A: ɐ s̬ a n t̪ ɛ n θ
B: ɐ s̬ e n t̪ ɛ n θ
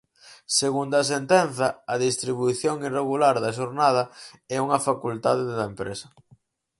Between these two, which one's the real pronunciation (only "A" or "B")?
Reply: B